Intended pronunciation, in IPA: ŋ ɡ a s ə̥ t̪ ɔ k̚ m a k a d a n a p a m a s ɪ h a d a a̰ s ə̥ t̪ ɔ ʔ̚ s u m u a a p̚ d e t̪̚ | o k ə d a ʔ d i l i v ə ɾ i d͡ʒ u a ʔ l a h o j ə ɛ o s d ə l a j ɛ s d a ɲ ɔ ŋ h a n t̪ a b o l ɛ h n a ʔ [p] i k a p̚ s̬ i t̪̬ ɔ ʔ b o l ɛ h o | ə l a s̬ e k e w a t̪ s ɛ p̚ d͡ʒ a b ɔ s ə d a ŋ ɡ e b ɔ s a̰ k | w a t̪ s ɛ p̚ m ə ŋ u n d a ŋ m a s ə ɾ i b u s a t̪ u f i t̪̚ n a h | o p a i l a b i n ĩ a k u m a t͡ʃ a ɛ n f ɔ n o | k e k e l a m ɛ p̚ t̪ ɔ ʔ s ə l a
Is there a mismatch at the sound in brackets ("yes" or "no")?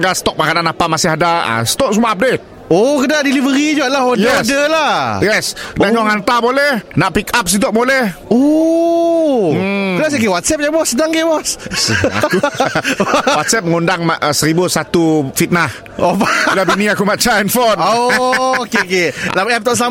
no